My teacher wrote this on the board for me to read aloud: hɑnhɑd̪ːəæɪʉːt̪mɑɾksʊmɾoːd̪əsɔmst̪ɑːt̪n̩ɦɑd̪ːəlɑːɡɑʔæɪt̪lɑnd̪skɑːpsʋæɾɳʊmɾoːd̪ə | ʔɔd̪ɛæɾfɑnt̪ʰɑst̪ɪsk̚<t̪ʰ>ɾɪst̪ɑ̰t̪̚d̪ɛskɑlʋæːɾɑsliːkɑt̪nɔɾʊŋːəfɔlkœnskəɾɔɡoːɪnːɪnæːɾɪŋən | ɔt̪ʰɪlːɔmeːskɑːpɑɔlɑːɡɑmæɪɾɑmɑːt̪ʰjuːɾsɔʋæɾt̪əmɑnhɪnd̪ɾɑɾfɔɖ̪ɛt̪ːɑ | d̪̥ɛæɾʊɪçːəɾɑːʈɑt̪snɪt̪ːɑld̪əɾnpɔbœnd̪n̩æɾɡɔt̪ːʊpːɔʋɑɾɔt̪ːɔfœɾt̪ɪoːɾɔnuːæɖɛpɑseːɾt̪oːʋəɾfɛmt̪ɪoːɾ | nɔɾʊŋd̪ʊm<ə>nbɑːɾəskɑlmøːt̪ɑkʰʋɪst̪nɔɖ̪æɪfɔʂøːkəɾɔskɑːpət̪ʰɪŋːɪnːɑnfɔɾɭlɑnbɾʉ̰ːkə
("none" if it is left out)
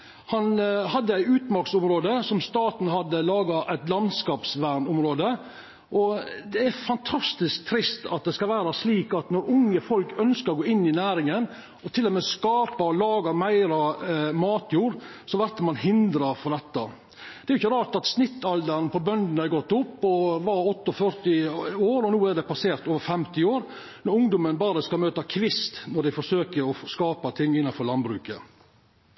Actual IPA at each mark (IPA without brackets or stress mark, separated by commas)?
t̪ʰ, ə